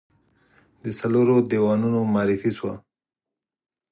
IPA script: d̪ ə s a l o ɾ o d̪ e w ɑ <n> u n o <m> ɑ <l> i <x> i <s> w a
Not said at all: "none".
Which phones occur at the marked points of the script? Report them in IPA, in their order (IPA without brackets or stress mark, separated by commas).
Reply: n, m, ɾ, f, s